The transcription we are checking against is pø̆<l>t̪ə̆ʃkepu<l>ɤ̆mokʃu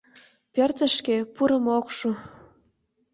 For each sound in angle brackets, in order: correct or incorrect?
incorrect: r, incorrect: ɾ

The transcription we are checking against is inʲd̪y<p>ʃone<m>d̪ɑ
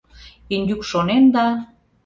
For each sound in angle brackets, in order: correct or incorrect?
incorrect: k, incorrect: n

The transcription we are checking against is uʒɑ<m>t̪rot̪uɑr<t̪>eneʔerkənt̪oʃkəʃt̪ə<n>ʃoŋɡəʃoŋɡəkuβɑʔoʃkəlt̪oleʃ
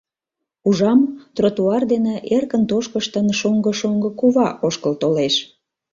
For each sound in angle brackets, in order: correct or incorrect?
correct, incorrect: d̪, correct

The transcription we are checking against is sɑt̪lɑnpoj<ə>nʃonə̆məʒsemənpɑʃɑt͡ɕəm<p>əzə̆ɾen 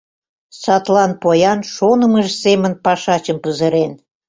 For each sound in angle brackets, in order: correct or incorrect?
incorrect: ɑ, correct

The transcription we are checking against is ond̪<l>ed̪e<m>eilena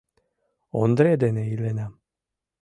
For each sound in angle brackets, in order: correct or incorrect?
incorrect: ɾ, incorrect: n

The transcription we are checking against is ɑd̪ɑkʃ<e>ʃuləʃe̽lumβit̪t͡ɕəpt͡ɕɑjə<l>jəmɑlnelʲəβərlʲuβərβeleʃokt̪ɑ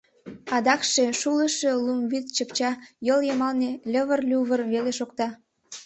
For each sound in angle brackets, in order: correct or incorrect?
correct, correct

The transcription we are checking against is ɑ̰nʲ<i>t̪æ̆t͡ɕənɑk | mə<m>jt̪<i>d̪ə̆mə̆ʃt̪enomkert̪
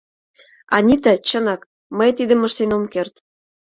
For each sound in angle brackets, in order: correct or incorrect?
correct, incorrect: none, correct

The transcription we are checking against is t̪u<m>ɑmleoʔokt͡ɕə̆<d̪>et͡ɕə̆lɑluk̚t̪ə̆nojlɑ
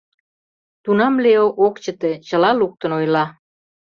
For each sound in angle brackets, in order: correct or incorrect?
incorrect: n, incorrect: t̪

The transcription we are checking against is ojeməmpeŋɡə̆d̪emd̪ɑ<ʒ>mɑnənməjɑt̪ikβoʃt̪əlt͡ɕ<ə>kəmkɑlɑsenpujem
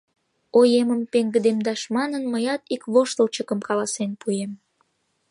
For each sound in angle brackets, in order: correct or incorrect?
incorrect: ʃ, correct

